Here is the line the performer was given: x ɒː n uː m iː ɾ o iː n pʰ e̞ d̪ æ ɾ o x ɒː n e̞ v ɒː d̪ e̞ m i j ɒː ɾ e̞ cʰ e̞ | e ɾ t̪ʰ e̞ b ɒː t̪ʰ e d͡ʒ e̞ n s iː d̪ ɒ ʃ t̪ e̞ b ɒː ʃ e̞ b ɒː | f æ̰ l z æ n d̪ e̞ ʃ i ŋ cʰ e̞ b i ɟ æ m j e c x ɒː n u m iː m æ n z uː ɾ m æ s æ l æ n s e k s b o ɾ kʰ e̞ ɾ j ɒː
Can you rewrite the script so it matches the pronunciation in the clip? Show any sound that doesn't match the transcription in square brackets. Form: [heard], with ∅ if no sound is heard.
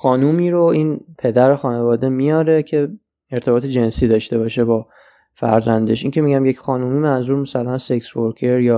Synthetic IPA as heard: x ɒː n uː m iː ɾ o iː n pʰ e̞ d̪ æ ɾ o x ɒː n e̞ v ɒː d̪ e̞ m i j ɒː ɾ e̞ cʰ e̞ | e ɾ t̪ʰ e̞ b ɒː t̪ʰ e d͡ʒ e̞ n s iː d̪ ɒ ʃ t̪ e̞ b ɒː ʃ e̞ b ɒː | f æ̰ [ɾ] z æ n d̪ e̞ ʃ i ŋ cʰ e̞ [m] i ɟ æ m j e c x ɒː n u m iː m æ n z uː ɾ m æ s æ l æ n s e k s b o ɾ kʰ e̞ ɾ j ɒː